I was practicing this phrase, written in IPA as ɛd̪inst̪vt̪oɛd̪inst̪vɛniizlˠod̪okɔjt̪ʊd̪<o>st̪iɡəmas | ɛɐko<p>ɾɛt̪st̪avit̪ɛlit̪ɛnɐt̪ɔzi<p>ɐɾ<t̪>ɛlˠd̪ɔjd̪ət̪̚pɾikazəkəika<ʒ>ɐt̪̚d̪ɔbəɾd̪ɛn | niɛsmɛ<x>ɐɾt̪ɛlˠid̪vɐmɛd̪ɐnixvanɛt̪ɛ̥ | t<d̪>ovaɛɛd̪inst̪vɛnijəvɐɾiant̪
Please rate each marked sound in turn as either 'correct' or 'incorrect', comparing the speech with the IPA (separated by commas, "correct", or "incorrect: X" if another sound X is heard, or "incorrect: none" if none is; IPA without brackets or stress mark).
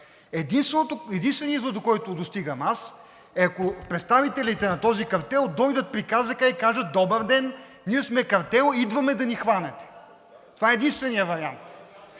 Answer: correct, correct, incorrect: k, correct, correct, incorrect: k, incorrect: t̪